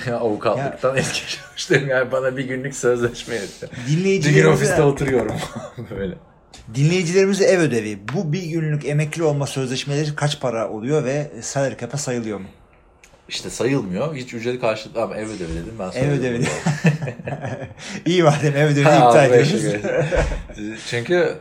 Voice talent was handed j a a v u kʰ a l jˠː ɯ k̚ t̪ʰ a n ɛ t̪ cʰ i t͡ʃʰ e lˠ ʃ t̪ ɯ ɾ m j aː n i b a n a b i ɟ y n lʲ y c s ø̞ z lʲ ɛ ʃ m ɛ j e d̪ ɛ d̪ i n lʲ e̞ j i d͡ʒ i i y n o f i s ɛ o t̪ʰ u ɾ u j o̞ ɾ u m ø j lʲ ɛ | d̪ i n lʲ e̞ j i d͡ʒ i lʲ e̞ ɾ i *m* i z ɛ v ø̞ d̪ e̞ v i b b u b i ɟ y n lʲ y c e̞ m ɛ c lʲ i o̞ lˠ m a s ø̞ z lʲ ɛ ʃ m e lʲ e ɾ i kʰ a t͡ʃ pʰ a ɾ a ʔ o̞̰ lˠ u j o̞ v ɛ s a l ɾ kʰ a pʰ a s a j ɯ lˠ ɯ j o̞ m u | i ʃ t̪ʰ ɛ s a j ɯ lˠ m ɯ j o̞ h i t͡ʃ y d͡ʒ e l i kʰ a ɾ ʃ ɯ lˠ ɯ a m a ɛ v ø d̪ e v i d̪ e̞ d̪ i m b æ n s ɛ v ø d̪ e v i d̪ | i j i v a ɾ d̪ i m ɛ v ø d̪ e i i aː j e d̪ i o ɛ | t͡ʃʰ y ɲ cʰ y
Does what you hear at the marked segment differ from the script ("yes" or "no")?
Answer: no